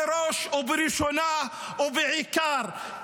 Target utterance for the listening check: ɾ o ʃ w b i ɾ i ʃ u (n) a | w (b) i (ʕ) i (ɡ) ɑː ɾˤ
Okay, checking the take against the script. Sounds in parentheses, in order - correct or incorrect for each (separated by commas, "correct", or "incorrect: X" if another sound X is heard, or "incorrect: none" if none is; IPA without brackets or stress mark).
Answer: correct, correct, correct, incorrect: k